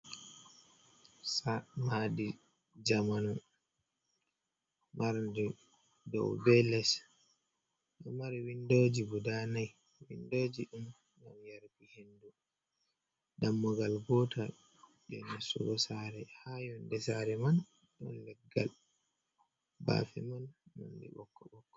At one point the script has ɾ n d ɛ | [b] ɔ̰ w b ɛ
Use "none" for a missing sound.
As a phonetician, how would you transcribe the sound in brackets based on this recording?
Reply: d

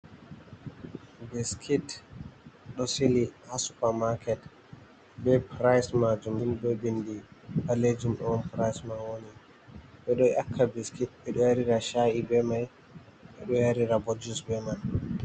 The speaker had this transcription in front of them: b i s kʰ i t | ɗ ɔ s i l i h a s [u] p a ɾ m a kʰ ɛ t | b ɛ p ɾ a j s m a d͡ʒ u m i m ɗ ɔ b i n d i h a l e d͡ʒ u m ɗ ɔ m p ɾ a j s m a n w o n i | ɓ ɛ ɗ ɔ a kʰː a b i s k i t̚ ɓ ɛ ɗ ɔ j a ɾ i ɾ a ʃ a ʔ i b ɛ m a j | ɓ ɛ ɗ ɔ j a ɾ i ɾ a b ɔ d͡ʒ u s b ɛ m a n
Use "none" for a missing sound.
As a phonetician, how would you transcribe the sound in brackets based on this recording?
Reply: u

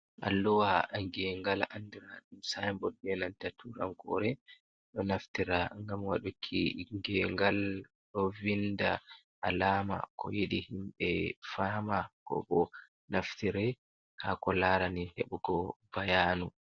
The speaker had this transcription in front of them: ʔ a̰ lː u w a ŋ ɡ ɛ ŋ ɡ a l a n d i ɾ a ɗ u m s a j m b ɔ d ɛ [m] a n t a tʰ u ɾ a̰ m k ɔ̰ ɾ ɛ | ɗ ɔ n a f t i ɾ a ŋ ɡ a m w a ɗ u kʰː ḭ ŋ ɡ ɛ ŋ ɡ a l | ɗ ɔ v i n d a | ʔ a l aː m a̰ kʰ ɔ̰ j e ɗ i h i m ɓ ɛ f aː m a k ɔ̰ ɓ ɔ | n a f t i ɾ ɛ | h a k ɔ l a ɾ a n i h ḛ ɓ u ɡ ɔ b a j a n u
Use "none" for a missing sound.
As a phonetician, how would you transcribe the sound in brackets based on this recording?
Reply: n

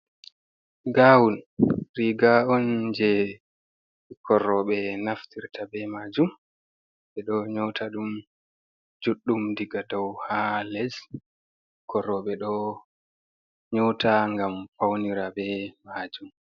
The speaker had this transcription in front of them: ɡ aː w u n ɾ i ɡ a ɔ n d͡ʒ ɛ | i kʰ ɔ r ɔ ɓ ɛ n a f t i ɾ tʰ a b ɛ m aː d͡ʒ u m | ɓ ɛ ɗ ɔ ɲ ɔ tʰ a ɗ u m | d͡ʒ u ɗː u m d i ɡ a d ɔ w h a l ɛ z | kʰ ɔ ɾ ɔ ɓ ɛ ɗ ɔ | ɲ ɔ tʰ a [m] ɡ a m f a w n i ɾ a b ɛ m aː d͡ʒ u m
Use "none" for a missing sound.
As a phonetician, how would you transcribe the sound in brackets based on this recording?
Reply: ŋ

